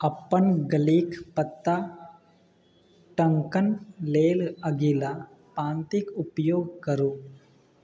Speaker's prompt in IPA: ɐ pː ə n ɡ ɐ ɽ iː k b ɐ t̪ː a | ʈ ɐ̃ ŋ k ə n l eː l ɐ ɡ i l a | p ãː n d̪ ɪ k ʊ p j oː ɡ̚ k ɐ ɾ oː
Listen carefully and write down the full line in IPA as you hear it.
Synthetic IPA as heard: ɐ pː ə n ɡ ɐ l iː k p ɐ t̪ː a | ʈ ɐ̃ ŋ k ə n l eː l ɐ ɡ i l a | p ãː n t̪ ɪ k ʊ p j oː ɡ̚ k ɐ ɾ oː